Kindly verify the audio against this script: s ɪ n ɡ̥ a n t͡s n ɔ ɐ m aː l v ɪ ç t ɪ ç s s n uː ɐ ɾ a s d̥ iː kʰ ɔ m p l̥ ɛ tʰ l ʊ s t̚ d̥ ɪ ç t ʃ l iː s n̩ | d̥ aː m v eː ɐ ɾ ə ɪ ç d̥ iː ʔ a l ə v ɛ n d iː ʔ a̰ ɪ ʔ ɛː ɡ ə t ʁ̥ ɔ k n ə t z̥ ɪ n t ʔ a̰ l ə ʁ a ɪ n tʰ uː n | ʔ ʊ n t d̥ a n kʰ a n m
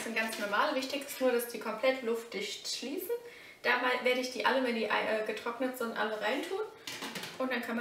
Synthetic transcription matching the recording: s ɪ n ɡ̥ a n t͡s n ɔ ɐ m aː l v ɪ ç t ɪ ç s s n uː ɐ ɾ a s d̥ iː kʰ ɔ m p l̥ ɛ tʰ l ʊ f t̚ d̥ ɪ ç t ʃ l iː s n̩ | d̥ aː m v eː ɐ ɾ ə ɪ ç d̥ iː ʔ a l ə v ɛ n d iː ʔ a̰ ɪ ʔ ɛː ɡ ə t ʁ̥ ɔ k n ə t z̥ ɪ n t ʔ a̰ l ə ʁ a ɪ n tʰ uː n | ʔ ʊ n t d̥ a n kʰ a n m

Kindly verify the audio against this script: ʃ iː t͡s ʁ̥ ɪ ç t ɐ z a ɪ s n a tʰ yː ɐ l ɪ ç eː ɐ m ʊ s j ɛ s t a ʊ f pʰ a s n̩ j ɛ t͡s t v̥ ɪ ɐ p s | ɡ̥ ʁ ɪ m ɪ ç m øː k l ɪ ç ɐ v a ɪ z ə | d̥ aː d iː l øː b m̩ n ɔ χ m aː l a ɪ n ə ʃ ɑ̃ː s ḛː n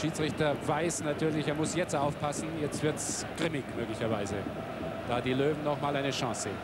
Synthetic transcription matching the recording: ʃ iː t͡s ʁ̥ ɪ ç t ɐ v a ɪ s n a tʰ yː ɐ l ɪ ç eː ɐ m ʊ s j ɛ t͡s t a ʊ f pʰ a s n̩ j ɛ t͡s t v̥ ɪ ɐ t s | ɡ̥ ʁ ɪ m ɪ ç m øː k l ɪ ç ɐ v a ɪ z ə | d̥ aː d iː l øː v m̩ n ɔ χ m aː l a ɪ n ə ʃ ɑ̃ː s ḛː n

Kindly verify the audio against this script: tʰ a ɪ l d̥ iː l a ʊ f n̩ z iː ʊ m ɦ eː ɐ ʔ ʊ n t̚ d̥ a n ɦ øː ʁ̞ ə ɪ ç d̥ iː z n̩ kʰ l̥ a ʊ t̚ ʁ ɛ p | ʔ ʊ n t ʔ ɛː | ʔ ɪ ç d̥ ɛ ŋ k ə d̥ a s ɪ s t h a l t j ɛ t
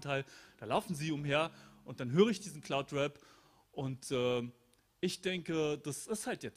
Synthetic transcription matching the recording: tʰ a ɪ l d̥ aː l a ʊ f n̩ z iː ʊ m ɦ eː ɐ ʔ ʊ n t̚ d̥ a n ɦ øː ʁ̞ ə ɪ ç d̥ iː z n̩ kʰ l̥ a ʊ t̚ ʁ ɛ p | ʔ ʊ n t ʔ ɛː | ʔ ɪ ç d̥ ɛ ŋ k ə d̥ a s ɪ s t h a l t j ɛ t͡s

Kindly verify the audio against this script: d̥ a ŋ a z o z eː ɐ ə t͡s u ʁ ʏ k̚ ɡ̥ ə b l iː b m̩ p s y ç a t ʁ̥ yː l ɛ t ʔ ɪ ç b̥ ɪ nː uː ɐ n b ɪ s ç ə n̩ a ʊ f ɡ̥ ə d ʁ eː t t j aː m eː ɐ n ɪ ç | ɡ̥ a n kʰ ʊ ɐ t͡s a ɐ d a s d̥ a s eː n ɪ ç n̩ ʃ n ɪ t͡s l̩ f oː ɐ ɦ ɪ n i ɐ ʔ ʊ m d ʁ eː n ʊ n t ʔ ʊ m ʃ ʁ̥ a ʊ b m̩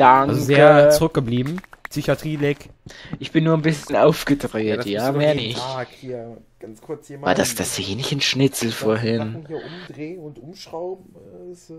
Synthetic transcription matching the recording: d̥ a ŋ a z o z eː ɐ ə t͡s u ʁ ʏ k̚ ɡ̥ ə b l iː b m̩ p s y ç a t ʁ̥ iː l ɛ k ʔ ɪ ç b̥ ɪ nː uː ɐ n b ɪ s ç ə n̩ a ʊ f ɡ̥ ə d ʁ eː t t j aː m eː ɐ n ɪ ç | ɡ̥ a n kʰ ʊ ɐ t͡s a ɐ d a s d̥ a s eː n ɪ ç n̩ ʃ n ɪ t͡s l̩ f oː ɐ ɦ ɪ n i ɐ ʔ ʊ m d ʁ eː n ʊ n t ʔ ʊ m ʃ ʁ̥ a ʊ b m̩

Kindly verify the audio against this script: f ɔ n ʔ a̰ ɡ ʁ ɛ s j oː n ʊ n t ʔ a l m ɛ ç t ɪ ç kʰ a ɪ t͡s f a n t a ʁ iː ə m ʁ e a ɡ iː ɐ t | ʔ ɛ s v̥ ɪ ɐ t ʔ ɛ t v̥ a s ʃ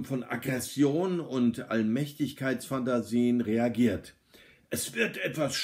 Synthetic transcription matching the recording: f ɔ n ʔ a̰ ɡ ʁ ɛ s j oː n ʊ n t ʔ a l m ɛ ç t ɪ ç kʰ a ɪ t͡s f a n t a z iː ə n ʁ e a ɡ iː ɐ t | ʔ ɛ s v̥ ɪ ɐ t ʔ ɛ t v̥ a s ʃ

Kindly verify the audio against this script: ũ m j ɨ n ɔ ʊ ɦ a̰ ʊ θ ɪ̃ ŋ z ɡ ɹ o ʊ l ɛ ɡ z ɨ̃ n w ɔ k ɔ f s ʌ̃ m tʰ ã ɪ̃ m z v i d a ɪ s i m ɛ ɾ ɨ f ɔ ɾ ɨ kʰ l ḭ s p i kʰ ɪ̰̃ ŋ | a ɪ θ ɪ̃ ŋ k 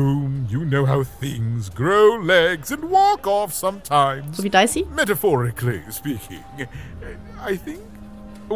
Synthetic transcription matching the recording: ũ m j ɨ n o ʊ ɦ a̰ ʊ θ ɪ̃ ŋ z ɡ ɹ o ʊ l ɛ ɡ z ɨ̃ n w ɔ k ɔ f s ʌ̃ m tʰ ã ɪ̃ m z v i d a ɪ s i m ɛ ɾ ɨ f ɔ ɹ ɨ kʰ l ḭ s p i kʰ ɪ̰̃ ŋ | a ɪ θ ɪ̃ ŋ k

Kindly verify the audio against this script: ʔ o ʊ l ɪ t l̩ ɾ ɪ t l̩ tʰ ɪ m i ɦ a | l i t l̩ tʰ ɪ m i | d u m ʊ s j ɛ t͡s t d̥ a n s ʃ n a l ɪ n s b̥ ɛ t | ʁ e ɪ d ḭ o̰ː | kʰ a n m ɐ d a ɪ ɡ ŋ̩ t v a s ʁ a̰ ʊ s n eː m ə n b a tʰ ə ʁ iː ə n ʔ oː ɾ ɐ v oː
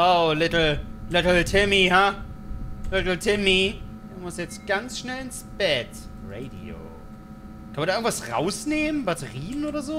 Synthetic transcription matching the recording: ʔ o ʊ l ɪ t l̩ l ɪ t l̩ tʰ ɪ m i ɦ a | l ɪ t l̩ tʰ ɪ m i | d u m ʊ s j ɛ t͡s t ɡ̥ a n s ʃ n ɛ l ɪ n s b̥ ɛ t | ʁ e ɪ d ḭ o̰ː | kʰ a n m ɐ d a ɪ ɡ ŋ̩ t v a s ʁ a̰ ʊ s n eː m ə n b a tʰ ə ʁ iː ə n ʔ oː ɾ ɐ z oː

